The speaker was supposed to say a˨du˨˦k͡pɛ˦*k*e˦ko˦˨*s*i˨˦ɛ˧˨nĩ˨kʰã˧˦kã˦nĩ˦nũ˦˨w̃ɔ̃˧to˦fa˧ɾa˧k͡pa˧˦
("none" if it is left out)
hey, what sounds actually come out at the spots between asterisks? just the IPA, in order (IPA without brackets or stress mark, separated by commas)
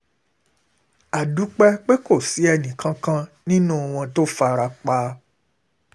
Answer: k͡p, s